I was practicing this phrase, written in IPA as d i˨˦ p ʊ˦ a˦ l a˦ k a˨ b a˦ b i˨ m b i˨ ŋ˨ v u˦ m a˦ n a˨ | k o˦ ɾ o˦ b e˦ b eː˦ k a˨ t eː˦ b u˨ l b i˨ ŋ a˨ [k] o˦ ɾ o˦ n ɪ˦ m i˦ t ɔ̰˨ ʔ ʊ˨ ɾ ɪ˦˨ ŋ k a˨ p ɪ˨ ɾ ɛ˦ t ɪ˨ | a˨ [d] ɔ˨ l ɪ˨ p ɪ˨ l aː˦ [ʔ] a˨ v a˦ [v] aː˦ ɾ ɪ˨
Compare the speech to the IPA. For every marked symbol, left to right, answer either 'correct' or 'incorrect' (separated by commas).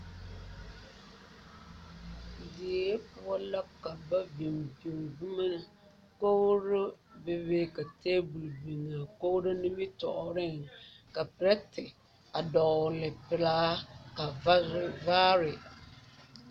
correct, correct, incorrect, correct